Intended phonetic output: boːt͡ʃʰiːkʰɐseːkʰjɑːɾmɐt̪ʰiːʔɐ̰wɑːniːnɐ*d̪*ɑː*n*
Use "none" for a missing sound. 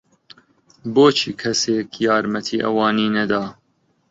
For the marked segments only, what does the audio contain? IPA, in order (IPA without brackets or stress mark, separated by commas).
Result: d̪, none